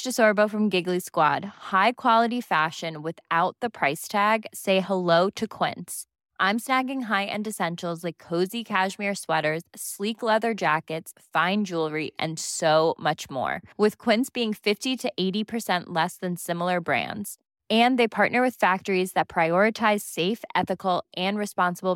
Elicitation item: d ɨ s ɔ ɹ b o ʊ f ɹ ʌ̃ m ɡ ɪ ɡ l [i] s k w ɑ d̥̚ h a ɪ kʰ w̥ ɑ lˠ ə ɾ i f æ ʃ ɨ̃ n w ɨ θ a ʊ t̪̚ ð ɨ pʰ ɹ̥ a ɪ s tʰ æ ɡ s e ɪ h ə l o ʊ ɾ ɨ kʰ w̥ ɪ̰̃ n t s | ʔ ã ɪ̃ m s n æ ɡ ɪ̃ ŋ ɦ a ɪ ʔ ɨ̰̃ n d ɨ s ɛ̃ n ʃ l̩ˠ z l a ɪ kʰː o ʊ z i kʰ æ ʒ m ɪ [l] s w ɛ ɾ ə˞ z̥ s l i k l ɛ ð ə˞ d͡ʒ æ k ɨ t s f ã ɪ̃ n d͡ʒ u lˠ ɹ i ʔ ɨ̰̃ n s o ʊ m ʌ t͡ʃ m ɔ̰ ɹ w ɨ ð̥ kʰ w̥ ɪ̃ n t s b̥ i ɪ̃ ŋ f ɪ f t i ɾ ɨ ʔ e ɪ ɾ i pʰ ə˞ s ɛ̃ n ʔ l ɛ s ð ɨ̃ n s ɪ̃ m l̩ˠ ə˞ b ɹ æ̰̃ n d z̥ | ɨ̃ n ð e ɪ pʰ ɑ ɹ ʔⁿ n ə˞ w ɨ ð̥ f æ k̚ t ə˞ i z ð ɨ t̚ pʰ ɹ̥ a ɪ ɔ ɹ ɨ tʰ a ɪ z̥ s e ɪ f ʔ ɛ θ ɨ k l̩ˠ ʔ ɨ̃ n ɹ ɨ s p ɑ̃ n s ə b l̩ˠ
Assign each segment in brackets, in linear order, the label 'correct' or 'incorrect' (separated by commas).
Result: correct, incorrect